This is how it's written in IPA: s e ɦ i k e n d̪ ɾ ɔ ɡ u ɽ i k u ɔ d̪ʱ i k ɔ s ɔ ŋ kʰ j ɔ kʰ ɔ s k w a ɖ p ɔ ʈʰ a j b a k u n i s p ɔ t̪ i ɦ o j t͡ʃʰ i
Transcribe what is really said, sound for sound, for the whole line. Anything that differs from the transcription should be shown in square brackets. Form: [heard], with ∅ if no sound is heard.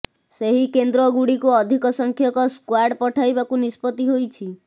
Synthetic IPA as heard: s e ɦ i k e n d̪ ɾ ɔ ɡ u ɽ i k u ɔ d̪ʱ i k ɔ s ɔ ŋ kʰ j ɔ [k] ɔ s k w a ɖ p ɔ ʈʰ a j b a k u n i s p ɔ t̪ i ɦ o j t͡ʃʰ i